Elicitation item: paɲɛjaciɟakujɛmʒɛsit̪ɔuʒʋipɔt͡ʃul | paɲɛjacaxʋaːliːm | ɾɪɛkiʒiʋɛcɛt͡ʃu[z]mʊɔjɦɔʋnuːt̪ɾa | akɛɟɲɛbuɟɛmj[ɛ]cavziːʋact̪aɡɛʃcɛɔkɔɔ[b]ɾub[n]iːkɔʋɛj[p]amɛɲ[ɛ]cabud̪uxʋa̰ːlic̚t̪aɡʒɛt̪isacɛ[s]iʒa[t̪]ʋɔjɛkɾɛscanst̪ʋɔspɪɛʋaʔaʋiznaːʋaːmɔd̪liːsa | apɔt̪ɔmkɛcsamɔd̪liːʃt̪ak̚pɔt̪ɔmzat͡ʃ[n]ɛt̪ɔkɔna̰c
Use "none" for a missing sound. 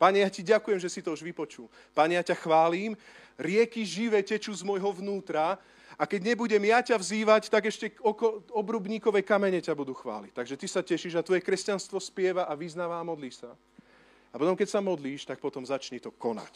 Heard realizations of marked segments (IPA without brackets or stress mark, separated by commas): z, a, b, ɲ, k, ɛ, ʃ, t̪, ɲ